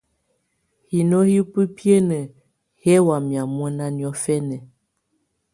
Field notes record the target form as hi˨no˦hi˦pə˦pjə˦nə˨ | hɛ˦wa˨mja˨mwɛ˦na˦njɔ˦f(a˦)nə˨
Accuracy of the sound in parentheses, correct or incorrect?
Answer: incorrect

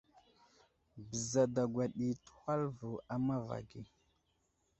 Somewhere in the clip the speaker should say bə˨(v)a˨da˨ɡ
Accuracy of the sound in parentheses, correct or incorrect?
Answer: incorrect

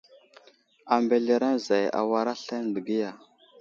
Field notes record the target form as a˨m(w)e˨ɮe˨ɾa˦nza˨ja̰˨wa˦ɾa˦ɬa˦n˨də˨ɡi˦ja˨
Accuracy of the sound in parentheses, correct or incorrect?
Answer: incorrect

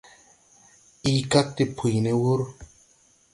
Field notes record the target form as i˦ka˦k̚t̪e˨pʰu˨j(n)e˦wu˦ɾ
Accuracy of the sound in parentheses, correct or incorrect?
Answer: correct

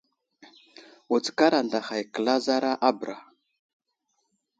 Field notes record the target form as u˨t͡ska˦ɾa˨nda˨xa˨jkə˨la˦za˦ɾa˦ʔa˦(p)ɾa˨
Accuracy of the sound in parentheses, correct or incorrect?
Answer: incorrect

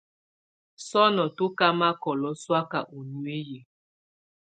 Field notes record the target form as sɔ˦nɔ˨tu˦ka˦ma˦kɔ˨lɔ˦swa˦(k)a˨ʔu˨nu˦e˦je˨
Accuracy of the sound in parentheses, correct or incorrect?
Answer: correct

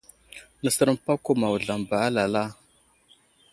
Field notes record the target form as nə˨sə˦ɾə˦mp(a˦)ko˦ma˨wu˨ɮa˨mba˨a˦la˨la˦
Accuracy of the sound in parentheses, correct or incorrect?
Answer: correct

